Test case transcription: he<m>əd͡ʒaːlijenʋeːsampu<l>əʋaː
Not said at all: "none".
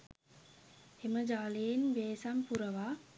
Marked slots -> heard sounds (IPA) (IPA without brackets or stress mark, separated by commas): m, ɾ